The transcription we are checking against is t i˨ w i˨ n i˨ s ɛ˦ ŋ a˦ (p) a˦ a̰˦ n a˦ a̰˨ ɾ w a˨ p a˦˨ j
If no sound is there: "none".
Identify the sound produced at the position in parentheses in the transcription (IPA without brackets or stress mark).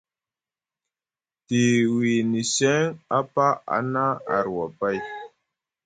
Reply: p